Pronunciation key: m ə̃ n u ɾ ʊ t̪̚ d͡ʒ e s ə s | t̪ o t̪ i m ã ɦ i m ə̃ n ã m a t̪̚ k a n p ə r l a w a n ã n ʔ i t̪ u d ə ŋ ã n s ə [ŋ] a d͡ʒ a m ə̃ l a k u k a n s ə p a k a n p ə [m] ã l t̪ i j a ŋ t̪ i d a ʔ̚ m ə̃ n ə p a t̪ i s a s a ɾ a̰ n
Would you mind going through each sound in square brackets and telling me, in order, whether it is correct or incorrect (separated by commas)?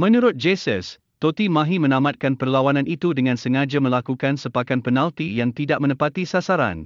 correct, incorrect